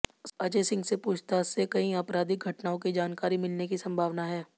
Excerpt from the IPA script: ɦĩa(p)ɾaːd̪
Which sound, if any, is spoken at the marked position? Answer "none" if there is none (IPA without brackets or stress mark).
p